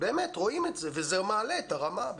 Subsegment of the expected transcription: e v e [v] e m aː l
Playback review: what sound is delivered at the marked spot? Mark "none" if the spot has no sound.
z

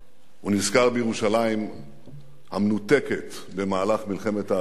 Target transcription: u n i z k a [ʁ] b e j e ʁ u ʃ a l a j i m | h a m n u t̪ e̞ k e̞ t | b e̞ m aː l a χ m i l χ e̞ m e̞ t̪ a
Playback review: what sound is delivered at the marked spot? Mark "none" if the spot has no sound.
ʁ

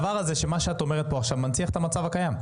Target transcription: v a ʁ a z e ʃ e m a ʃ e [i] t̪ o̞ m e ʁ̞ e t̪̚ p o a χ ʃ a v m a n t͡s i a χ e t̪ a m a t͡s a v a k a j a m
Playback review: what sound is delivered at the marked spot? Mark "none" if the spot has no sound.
a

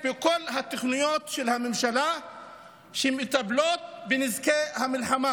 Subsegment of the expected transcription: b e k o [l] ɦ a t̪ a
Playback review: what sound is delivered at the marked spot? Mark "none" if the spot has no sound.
l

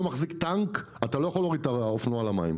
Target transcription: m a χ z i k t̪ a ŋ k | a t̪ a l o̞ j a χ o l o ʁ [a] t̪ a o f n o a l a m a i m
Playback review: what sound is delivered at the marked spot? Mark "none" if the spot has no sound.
i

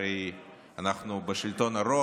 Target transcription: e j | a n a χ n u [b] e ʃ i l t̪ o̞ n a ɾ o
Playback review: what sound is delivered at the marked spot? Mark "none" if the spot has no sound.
b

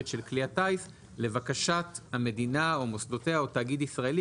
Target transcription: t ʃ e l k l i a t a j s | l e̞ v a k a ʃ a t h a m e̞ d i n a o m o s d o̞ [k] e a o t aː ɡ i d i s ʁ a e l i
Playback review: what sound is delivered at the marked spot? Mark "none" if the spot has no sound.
t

